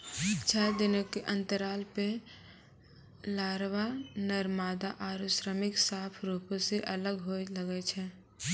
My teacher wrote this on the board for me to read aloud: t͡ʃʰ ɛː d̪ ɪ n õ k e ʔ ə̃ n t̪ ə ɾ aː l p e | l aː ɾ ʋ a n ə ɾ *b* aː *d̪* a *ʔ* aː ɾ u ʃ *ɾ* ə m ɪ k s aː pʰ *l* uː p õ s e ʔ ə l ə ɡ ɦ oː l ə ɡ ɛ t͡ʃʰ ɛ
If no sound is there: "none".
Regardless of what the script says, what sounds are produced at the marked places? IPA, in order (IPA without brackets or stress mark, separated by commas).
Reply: m, d̪, ʔ, ɾ, ɾ